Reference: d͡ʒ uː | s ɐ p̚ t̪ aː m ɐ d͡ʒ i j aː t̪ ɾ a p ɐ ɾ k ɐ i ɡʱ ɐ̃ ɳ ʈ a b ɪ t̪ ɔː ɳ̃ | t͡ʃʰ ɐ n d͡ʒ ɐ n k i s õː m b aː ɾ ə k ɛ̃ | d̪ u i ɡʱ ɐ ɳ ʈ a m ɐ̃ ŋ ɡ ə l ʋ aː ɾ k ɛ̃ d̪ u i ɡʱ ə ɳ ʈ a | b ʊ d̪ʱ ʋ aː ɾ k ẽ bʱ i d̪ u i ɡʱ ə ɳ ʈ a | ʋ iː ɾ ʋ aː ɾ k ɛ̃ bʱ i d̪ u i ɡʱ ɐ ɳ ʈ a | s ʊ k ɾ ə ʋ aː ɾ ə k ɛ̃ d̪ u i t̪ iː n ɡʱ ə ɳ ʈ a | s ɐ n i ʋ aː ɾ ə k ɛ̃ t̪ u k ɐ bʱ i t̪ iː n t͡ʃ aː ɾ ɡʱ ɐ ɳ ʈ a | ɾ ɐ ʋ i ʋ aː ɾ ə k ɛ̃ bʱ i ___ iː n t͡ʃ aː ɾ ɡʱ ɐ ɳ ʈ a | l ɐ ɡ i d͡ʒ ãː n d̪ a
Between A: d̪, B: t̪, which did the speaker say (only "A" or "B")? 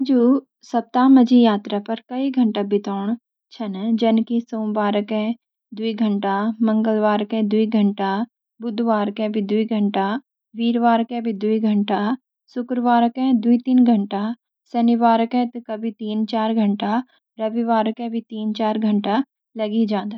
B